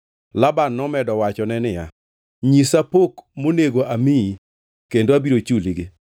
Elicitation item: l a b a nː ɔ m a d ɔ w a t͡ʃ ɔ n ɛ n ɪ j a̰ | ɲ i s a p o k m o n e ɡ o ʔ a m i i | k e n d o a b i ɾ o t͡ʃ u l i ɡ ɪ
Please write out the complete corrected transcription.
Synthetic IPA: l a b a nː ɔ m ɛ d ɔ w a t͡ʃ ɔ n ɛ n ɪ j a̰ | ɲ i s a p o k m o n e ɡ o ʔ a m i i | k e n d o a b i ɾ o t͡ʃ u l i ɡ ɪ